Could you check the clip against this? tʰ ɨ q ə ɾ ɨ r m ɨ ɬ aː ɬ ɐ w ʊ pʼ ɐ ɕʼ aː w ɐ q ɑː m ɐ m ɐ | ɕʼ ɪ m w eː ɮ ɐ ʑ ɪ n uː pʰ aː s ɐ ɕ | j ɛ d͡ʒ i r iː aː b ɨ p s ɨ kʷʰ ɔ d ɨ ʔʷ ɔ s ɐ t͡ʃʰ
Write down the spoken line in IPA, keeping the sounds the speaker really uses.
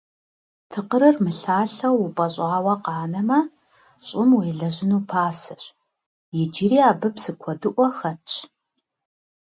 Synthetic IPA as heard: tʰ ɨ q ə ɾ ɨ r m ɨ ɬ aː ɬ ɐ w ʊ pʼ ɐ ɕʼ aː w ɐ q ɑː n ɐ m ɐ | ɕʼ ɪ m w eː ɮ ɐ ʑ ɪ n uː pʰ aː s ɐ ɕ | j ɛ d͡ʒ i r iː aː b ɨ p s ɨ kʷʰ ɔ d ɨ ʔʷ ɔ x ɐ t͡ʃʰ